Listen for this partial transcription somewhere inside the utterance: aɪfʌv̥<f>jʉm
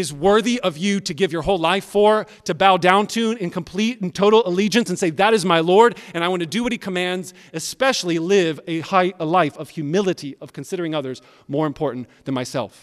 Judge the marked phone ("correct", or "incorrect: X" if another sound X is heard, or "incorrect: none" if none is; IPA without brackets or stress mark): incorrect: h